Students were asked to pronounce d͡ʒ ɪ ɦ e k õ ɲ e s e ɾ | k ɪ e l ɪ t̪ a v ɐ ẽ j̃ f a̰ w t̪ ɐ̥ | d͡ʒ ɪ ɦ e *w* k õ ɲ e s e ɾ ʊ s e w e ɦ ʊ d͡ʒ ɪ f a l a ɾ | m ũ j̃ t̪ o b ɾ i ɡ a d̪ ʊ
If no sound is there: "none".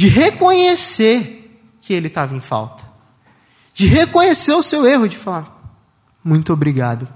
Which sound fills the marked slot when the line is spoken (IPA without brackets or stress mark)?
none